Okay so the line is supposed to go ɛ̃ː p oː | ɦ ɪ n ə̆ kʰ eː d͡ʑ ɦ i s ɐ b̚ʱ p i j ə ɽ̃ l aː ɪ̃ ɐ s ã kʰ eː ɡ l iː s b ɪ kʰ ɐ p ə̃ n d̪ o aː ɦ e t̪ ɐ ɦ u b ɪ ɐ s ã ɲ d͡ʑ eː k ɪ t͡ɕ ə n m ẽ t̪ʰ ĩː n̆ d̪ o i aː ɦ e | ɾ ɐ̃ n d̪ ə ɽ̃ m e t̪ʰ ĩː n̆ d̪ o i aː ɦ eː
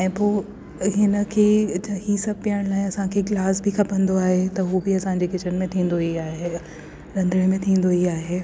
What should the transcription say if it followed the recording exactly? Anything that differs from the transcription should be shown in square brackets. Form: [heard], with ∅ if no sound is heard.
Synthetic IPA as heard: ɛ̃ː p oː | ɦ ɪ n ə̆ kʰ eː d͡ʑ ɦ i s ɐ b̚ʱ p i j ə ɽ̃ l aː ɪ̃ ɐ s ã kʰ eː ɡ l [aː] s b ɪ kʰ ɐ p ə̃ n d̪ o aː ɦ e t̪ ɐ ɦ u b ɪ ɐ s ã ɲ d͡ʑ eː k ɪ t͡ɕ ə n m ẽ t̪ʰ ĩː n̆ d̪ o i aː ɦ e | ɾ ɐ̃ n d̪ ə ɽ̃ m [ẽ] t̪ʰ ĩː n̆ d̪ o i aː ɦ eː